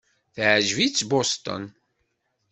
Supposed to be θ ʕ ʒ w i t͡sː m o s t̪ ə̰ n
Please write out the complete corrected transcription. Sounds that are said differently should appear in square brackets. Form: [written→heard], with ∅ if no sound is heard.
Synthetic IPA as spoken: θ ʕ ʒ [w→v] i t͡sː [m→b] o s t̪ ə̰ n